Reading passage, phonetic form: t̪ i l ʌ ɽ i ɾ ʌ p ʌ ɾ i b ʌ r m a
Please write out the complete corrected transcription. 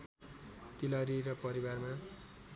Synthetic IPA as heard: t̪ i l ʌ ɾ i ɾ ʌ p ʌ ɾ i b a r m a